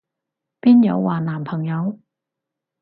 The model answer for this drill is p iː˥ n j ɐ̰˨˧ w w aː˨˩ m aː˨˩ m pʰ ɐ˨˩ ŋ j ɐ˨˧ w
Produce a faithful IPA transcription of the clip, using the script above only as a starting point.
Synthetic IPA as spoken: p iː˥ n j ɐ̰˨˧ w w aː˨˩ n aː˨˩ m pʰ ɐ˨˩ ŋ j ɐ˨˧ w

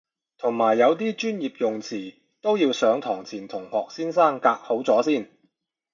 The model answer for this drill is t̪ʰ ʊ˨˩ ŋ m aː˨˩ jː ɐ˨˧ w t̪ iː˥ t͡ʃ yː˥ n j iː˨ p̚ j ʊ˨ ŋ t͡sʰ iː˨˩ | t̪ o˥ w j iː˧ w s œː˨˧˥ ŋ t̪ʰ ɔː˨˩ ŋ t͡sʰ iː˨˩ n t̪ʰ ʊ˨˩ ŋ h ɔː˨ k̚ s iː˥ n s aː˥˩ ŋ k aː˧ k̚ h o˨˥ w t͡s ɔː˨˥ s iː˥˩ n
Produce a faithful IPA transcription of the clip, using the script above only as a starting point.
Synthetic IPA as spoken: t̪ʰ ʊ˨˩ ŋ m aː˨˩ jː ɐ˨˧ w t̪ iː˥ t͡ʃ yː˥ n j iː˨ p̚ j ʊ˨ ŋ t͡sʰ iː˨˩ | t̪ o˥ w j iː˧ w s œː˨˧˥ ŋ t̪ʰ ɔː˨˩ ŋ t͡sʰ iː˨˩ n t̪ʰ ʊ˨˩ ŋ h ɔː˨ k̚ s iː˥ n s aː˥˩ ŋ k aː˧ k̚ h o˨˥ w t͡s ɔː˨˥ s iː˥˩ n

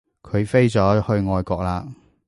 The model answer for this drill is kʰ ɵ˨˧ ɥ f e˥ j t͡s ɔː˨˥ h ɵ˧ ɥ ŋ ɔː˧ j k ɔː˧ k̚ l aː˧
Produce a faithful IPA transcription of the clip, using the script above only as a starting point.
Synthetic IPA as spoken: kʰ ɵ˨˧ ɥ f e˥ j t͡s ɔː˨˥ h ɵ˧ ɥ ŋ ɔː˧ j k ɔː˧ k̚ l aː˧

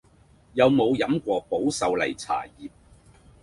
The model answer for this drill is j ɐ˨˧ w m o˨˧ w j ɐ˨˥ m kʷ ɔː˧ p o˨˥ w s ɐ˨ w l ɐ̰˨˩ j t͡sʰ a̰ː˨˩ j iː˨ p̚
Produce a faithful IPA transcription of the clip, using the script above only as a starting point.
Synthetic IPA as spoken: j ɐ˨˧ w m o˨˧ w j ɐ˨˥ m kʷ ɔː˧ p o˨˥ w s ɐ˨ w l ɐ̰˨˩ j t͡sʰ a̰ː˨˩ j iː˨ p̚

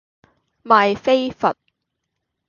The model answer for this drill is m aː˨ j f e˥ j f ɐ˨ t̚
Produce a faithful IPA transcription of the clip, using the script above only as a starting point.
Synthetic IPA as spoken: m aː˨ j f e˥ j f ɐ˨ t̚

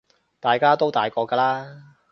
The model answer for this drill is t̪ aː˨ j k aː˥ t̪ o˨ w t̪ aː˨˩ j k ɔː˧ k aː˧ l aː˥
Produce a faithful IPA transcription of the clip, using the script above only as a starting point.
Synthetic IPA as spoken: t̪ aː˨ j k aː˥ t̪ o˥ w t̪ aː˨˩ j k ɔː˧ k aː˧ l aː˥

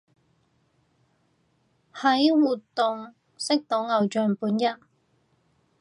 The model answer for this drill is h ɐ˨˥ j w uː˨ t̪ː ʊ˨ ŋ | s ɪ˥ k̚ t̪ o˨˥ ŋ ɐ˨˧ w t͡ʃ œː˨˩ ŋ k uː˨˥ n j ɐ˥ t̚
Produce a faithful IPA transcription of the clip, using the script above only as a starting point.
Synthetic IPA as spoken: h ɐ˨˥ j w uː˨ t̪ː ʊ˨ ŋ | s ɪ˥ k̚ t̪ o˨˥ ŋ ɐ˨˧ w t͡ʃ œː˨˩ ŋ p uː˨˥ n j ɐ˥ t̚

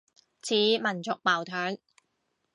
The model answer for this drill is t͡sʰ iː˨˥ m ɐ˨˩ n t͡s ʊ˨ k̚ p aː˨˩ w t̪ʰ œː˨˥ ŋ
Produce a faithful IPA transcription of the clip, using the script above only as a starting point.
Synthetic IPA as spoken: t͡sʰ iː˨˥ m ɐ˨˩ n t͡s ʊ˨ k̚ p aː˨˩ w t̪ʰ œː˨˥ ŋ

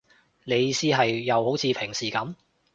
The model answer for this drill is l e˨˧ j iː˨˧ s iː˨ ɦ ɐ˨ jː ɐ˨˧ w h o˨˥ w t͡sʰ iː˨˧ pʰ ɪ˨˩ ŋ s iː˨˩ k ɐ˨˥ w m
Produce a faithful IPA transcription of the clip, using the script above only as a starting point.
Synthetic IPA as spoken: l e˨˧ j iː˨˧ s iː˥ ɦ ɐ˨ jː ɐ˨˧ w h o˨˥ w t͡sʰ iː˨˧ pʰ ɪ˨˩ ŋ s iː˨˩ k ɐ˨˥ m

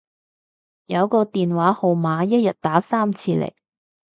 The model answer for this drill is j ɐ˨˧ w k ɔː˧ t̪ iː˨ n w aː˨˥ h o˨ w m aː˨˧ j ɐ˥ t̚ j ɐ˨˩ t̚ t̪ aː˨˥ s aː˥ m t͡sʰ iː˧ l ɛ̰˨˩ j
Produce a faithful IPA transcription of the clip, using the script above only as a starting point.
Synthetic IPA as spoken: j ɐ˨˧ w k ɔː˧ t̪ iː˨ n w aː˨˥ h o˨ w m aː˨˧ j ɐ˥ t̚ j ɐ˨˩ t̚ t̪ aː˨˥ s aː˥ m t͡sʰ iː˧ l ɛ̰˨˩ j

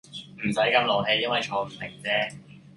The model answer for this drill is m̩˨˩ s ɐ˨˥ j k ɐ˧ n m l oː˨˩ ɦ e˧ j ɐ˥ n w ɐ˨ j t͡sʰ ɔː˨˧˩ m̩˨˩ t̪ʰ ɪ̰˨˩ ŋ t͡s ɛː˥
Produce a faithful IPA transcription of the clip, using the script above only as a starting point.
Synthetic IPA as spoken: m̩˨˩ s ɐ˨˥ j k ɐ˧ m l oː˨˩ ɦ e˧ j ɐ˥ n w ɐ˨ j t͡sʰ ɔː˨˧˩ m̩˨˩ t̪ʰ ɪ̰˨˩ ŋ t͡s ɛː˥

